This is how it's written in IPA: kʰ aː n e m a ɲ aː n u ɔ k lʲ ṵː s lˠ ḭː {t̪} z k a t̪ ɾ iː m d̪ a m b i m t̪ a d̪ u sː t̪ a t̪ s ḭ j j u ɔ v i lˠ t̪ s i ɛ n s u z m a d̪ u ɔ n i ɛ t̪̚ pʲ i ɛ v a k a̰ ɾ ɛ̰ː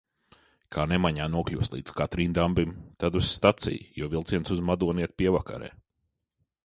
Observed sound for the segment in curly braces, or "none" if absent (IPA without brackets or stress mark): d̪